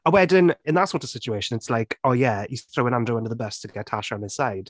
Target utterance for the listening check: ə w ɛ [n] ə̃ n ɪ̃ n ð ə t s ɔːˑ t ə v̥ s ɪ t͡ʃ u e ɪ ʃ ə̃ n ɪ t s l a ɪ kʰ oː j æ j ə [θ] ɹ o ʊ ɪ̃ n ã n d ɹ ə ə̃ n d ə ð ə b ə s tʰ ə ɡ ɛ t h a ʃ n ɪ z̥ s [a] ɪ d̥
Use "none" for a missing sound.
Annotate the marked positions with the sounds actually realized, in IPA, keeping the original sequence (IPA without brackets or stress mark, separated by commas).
d, θ, a